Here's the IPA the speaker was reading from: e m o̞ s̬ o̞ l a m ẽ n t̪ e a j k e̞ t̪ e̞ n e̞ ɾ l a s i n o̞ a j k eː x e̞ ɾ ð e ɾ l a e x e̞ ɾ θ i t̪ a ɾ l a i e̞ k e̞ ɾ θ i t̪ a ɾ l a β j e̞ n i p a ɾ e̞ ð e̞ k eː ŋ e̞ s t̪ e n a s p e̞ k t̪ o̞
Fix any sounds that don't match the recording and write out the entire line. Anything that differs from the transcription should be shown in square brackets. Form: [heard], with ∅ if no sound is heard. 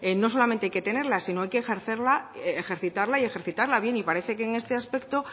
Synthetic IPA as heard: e [n] o̞ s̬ o̞ l a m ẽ n t̪ e a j k e̞ t̪ e̞ n e̞ ɾ l a s i n o̞ a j k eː x e̞ ɾ [θ] e ɾ l a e x e̞ ɾ θ i t̪ a ɾ l a i e̞ [x] e̞ ɾ θ i t̪ a ɾ l a β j e̞ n i p a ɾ e̞ [θ] e̞ k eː ŋ e̞ s t̪ e [∅] a s p e̞ k t̪ o̞